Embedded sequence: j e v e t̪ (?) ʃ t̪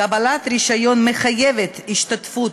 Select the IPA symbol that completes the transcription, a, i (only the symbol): i